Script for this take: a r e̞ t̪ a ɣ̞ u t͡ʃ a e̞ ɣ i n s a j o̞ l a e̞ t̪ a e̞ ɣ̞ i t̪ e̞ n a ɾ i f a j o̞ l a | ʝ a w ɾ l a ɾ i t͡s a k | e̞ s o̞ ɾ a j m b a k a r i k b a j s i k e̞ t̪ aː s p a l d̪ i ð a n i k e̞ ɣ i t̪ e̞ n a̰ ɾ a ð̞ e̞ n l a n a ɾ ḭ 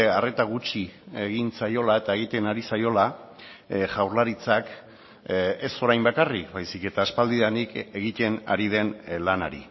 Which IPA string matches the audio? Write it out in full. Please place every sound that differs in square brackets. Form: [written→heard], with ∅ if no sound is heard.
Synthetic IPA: a r e̞ t̪ a ɣ̞ u t͡ʃ [a→i] e̞ ɣ i n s a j o̞ l a e̞ t̪ a e̞ ɣ̞ i t̪ e̞ n a ɾ i [f→s] a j o̞ l a | ʝ a w ɾ l a ɾ i t͡s a k | e̞ s o̞ ɾ a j m b a k a r i k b a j s i k e̞ t̪ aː s p a l d̪ i ð a n i k e̞ ɣ i t̪ e̞ n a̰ ɾ [a→i] ð̞ e̞ n l a n a ɾ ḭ